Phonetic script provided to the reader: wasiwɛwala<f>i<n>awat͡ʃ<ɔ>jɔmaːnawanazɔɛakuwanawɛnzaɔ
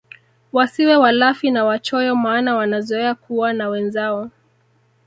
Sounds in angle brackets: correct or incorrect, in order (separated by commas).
correct, correct, correct